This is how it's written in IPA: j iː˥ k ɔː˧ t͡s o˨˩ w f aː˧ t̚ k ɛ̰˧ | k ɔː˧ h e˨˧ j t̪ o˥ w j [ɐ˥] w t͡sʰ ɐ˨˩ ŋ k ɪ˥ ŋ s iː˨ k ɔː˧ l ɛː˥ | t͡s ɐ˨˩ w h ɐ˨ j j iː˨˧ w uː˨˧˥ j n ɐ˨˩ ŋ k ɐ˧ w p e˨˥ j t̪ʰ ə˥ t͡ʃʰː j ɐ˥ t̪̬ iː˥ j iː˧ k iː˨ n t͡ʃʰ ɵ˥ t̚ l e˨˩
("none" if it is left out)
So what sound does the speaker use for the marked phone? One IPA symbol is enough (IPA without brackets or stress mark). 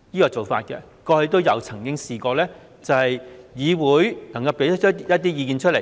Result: ɐ˨˧